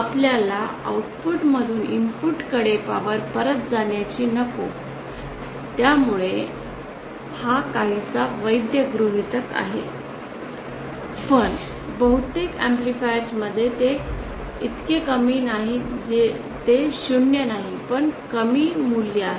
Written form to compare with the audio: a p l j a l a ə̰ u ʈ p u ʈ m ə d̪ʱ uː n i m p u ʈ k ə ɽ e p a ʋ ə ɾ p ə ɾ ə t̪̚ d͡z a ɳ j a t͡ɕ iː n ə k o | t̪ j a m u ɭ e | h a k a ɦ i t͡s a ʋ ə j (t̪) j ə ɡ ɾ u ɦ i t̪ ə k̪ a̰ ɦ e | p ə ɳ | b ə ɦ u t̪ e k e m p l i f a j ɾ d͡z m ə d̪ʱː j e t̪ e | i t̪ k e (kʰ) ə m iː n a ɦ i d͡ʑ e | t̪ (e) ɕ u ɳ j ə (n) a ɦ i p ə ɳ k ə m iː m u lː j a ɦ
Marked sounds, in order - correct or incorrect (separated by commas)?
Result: incorrect, incorrect, correct, correct